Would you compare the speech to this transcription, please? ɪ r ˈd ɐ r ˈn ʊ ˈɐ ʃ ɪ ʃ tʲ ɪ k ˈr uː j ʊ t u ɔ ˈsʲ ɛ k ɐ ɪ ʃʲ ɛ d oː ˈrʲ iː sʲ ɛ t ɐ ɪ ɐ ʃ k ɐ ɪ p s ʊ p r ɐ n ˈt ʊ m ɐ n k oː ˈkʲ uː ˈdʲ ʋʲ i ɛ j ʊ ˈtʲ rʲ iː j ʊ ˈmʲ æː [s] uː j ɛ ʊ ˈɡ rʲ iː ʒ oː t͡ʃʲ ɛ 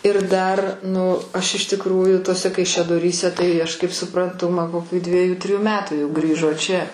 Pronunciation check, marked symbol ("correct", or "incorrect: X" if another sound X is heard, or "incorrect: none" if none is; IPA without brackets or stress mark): incorrect: t